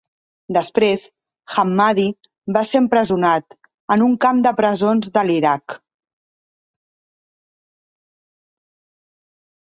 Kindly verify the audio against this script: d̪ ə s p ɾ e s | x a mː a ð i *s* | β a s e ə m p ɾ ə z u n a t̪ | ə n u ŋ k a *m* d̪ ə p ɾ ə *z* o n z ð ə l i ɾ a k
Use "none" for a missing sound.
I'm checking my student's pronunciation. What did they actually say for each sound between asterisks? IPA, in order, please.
none, m, z

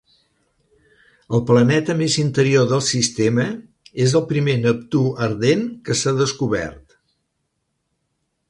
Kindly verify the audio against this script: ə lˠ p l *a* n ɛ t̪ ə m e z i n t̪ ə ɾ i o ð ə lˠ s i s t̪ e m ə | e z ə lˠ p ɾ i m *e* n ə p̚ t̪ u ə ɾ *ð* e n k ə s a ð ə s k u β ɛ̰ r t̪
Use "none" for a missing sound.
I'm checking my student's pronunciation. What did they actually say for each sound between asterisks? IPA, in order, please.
ə, e, ð

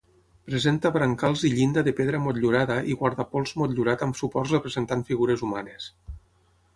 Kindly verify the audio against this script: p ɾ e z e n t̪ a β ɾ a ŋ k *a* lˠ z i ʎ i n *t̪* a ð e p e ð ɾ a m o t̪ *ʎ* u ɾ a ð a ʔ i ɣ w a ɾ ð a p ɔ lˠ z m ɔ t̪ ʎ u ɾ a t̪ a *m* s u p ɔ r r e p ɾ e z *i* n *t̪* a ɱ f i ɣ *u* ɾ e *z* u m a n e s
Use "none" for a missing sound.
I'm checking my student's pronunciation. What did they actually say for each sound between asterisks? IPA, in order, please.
a, d̪, ʎ, m, e, t̪, u, z

